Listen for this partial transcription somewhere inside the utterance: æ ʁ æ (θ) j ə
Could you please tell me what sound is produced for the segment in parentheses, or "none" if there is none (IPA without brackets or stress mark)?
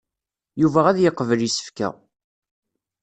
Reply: ð